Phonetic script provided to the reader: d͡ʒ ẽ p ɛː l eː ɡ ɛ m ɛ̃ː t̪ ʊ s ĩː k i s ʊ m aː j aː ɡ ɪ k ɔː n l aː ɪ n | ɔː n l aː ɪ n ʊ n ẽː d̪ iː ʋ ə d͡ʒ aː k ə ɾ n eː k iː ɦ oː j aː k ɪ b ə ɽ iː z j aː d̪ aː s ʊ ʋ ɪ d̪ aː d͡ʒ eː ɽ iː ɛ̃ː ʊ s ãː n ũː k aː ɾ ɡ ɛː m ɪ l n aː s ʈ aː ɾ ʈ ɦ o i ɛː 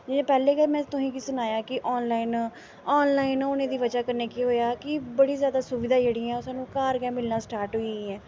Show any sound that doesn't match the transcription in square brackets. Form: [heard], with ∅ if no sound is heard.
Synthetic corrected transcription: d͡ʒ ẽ p ɛː l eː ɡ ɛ m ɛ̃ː t̪ ʊ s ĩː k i s ʊ [n] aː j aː [k] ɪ [ʔ] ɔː n l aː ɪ n | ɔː n l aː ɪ n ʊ n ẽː d̪ iː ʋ ə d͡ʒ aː k ə ɾ n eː k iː ɦ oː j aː k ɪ b ə ɽ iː z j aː d̪ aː s ʊ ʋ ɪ d̪ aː d͡ʒ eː ɽ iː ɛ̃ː ʊ s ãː n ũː k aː ɾ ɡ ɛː m ɪ l n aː s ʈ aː ɾ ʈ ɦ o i ɛː